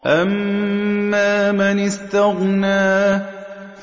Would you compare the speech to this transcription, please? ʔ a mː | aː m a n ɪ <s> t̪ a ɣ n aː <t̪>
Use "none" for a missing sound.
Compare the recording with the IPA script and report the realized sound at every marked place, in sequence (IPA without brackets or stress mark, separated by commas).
s, none